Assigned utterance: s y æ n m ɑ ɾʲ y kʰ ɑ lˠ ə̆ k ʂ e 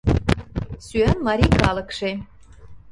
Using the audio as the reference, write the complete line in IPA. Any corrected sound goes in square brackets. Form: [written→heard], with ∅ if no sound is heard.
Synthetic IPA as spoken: s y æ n m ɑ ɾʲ [y→i] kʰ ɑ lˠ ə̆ k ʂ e